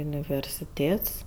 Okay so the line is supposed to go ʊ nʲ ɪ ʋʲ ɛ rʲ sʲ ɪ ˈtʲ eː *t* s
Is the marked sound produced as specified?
yes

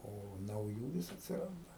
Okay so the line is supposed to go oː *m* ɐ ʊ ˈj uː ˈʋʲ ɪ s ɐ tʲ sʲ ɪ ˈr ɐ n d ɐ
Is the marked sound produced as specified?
no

